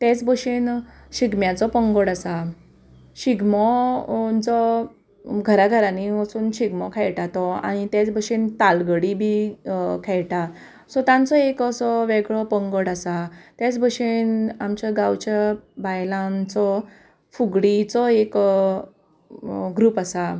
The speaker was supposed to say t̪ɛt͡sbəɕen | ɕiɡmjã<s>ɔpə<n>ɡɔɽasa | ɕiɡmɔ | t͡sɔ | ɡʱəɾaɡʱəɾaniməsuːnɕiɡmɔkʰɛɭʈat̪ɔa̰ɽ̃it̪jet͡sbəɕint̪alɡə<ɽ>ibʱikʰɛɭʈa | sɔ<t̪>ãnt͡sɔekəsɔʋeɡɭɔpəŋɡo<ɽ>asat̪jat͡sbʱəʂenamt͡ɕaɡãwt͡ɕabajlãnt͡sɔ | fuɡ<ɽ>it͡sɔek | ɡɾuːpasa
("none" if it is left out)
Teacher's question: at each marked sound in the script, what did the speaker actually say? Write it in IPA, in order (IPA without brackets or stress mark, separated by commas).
t͡s, ŋ, ɽ, t̪, ɽ, ɽ